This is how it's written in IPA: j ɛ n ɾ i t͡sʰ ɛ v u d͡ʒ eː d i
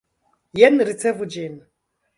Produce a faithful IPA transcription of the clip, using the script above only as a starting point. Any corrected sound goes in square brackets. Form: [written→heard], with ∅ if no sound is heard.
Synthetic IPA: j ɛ n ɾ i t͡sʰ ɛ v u d͡ʒ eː [d→n] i